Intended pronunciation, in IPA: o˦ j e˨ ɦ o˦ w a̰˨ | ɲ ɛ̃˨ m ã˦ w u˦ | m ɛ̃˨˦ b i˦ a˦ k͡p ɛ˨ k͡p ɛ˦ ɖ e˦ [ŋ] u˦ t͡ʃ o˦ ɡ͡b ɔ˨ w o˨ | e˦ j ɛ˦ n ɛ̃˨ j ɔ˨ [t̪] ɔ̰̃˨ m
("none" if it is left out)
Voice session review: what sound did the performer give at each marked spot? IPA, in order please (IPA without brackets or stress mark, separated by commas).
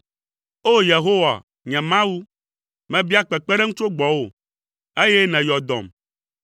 ŋ, d̪